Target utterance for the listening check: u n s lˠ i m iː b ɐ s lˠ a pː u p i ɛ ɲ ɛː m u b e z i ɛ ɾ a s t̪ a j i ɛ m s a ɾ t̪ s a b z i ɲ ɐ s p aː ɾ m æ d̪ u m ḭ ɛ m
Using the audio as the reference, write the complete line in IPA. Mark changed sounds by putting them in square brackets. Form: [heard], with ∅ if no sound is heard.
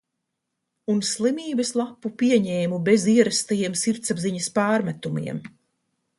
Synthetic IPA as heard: u n s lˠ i m iː b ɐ s lˠ a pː u p i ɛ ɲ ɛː m u b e z i ɛ ɾ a s t̪ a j i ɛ m s [i] ɾ t̪ s a b z i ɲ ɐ s p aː ɾ m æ [t̪] u m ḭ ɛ m